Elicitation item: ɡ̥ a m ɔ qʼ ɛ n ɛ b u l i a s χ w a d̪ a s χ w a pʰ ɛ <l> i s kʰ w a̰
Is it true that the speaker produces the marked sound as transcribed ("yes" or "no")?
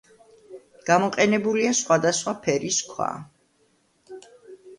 no